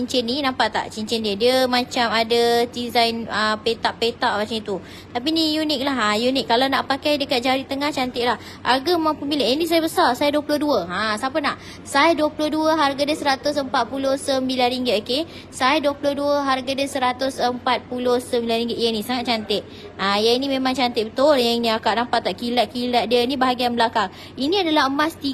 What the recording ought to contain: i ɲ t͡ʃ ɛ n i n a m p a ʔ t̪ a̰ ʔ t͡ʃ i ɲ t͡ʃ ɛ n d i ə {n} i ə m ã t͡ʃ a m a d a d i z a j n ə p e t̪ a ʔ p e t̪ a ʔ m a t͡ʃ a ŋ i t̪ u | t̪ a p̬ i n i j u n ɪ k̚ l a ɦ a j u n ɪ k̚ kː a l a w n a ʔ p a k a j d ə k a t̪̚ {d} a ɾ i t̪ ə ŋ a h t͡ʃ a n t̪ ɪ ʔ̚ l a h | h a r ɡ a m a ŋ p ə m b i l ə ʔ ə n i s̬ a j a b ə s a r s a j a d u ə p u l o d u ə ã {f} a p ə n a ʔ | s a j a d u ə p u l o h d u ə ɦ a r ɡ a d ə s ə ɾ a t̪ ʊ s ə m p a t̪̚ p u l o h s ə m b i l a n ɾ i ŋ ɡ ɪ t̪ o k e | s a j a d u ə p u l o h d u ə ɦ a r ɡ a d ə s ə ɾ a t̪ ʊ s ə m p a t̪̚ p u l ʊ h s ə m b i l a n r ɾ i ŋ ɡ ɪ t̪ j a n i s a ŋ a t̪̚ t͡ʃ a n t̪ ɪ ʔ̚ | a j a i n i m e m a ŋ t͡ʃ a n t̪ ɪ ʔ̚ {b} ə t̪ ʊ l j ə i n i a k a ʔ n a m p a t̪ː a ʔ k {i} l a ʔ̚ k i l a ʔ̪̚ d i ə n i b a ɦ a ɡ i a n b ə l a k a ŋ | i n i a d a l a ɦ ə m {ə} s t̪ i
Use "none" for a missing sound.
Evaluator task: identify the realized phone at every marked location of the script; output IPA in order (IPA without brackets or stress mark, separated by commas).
d, d͡ʒ, s, b, i, a